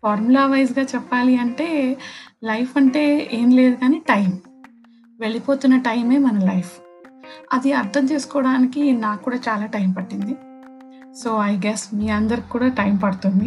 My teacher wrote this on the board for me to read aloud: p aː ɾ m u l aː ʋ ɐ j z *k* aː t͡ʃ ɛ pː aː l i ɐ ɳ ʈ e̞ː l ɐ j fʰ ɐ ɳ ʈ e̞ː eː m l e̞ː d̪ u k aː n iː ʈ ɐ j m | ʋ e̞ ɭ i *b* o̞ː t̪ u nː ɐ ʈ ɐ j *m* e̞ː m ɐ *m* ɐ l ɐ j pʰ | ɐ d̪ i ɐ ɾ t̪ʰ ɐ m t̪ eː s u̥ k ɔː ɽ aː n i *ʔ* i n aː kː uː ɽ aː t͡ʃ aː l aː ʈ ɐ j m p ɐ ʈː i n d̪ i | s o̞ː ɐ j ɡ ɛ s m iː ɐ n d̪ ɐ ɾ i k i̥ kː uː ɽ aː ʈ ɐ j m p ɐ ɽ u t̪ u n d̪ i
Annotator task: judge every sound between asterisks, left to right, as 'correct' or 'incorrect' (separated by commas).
incorrect, incorrect, correct, incorrect, incorrect